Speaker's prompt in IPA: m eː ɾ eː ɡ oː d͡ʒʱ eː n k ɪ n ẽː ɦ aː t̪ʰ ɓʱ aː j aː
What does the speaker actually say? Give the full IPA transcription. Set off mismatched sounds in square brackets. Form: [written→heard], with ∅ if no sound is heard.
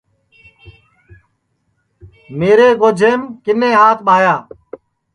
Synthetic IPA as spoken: m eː ɾ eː ɡ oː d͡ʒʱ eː [n→m] k ɪ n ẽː ɦ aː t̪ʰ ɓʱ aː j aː